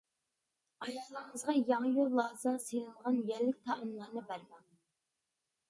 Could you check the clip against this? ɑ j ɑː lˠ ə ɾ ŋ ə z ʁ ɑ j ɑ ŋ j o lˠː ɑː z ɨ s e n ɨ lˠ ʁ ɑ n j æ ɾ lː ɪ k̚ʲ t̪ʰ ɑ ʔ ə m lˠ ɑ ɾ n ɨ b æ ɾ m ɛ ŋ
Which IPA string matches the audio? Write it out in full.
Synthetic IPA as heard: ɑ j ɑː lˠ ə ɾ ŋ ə z ʁ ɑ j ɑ ŋ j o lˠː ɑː z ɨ s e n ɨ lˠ ʁ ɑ n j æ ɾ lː ɪ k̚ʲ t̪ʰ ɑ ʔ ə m lˠ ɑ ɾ n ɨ b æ ɾ m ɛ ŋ

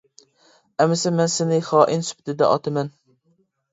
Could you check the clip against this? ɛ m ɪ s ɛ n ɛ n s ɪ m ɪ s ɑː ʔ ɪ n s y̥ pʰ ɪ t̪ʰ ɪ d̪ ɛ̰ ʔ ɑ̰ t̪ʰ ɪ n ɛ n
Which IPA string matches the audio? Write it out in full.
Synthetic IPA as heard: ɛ m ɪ s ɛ m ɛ n s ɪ n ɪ χ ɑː ʔ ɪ n s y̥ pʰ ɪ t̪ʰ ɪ d̪ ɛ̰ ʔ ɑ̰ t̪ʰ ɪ m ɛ n

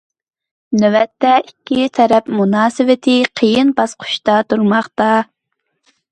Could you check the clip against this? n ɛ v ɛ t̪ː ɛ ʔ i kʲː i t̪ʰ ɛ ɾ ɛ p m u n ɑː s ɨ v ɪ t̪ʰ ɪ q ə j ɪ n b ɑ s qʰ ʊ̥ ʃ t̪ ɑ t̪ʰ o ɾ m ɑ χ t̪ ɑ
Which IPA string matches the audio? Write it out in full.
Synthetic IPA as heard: n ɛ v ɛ t̪ː ɛ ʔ i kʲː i t̪ʰ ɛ ɾ ɛ p m u n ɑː s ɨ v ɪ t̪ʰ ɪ qʰ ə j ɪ n b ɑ s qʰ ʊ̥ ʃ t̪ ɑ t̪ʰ u ɾ m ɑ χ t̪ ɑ

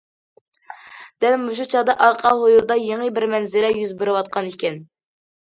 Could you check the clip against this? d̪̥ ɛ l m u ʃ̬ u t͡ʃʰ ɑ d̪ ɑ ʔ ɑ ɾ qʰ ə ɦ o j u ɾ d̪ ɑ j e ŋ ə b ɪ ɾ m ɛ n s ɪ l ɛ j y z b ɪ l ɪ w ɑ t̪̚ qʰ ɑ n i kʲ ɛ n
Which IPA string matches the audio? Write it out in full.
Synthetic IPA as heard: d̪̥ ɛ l m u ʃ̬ u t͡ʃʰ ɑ d̪ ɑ ʔ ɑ ɾ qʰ ɑ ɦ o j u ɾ d̪ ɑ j e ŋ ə b ɪ ɾ m ɛ n z ɪ l ɛ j y z b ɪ ɾ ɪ w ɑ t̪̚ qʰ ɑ n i kʲ ɛ n

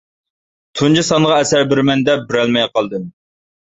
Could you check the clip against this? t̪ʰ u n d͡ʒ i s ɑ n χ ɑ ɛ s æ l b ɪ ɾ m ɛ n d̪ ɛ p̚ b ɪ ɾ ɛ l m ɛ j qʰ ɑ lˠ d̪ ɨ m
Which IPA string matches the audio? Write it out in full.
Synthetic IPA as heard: t̪ʰ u n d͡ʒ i s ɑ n ʁ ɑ ɛ s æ ɾ b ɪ ɾ m ɛ n d̪ ɛ p̚ b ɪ ɾ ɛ l m ɛ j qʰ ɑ lˠ d̪ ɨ m

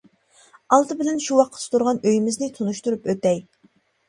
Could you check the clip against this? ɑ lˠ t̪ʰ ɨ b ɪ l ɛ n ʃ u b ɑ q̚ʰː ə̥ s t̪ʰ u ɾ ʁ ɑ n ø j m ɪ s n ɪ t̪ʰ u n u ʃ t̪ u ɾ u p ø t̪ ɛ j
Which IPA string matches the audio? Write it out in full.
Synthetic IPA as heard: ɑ lˠ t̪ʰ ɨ b ɪ l ɛ n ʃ u w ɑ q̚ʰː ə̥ s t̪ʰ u ɾ ʁ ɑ n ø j m ɪ z n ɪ t̪ʰ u n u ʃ t̪ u ɾ u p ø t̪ ɛ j

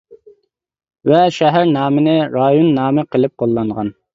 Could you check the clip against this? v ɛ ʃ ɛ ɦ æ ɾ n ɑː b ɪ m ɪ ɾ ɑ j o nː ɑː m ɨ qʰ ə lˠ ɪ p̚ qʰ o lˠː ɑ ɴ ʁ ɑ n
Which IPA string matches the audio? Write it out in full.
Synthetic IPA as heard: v ɛ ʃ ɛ ɦ æ ɾ n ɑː m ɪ n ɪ ɾ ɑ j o nː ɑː m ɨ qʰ ə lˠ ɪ p̚ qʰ o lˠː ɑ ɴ ʁ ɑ n

